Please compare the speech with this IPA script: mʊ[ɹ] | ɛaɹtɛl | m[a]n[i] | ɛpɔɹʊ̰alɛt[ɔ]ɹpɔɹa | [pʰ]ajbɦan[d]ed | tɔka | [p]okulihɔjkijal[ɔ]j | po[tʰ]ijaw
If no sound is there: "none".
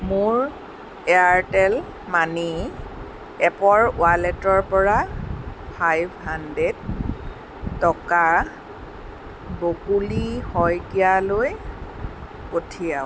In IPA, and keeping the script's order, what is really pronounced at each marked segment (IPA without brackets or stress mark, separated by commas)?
ɹ, a, i, ɔ, pʰ, d, b, o, tʰ